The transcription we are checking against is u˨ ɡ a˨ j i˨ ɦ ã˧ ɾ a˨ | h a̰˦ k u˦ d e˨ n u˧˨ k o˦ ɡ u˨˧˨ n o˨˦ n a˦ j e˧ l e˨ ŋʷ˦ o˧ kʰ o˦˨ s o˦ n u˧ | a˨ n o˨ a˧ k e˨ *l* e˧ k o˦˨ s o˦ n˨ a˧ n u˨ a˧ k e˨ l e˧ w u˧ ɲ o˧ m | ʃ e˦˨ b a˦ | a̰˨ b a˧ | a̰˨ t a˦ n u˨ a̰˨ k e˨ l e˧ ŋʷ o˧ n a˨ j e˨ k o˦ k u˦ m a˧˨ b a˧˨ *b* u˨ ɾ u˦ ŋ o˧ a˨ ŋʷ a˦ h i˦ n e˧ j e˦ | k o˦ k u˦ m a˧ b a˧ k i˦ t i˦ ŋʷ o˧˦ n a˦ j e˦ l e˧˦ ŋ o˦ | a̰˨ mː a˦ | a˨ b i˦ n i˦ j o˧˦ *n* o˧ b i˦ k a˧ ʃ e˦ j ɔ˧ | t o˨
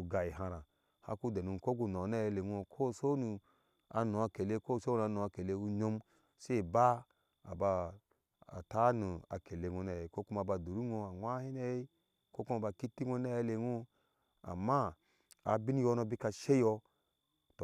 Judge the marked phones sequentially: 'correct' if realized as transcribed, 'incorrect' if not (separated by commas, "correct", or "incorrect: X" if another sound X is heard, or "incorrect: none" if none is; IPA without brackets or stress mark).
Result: correct, incorrect: d, correct